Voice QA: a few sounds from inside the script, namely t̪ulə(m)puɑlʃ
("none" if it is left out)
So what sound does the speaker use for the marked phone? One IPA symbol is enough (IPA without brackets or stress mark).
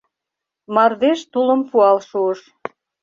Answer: m